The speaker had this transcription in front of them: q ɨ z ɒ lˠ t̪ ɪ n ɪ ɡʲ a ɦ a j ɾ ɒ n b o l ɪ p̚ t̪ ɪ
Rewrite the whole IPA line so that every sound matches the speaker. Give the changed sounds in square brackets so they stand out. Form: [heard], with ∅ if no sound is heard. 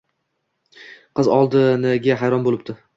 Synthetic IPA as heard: q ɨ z ɒ lˠ [d̪] ɪ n ɪ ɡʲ a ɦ a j ɾ ɒ n b o l ɪ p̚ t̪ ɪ